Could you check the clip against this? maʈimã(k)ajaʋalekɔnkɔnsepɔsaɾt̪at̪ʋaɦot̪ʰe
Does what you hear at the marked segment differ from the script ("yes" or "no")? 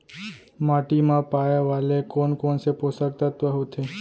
yes